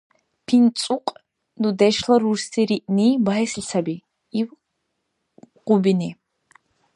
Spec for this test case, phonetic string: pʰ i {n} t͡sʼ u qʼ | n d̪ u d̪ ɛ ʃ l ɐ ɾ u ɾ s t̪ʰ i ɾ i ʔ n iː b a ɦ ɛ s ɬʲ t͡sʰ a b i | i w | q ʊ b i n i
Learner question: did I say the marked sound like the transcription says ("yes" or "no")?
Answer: yes